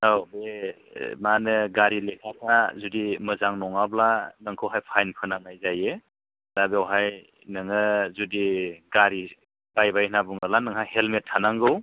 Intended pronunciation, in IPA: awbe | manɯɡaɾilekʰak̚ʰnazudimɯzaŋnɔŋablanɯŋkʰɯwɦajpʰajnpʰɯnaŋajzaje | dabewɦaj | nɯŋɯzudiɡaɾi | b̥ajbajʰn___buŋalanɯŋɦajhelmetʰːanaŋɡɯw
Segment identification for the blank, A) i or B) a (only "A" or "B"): B